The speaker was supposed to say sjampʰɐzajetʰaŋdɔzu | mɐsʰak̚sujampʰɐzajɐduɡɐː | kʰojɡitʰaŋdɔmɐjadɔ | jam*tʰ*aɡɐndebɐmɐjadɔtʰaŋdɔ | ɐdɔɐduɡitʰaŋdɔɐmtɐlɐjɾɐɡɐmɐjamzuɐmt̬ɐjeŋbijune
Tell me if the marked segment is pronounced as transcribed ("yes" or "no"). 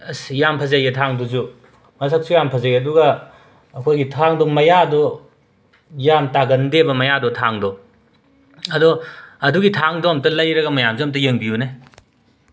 no